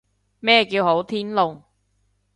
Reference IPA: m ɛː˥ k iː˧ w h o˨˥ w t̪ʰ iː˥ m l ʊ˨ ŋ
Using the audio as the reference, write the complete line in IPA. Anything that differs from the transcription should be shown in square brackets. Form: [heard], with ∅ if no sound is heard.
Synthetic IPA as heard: m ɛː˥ k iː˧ w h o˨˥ w t̪ʰ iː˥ [n] l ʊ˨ ŋ